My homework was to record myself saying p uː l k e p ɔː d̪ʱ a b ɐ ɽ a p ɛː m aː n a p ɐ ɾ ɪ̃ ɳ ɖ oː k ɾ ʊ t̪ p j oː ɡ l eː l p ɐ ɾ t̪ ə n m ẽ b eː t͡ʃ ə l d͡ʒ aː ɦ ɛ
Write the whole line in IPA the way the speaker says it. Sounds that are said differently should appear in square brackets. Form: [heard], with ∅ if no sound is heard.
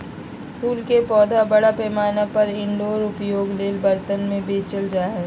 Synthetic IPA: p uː l k e p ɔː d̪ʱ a b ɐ ɽ a p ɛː m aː n a p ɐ ɾ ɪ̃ ɳ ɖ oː [∅] ɾ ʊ [∅] p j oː ɡ l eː l [b] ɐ ɾ t̪ ə n m ẽ b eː t͡ʃ ə l d͡ʒ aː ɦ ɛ